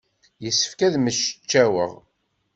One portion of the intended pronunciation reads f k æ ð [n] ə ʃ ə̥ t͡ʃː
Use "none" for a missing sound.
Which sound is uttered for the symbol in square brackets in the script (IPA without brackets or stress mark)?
m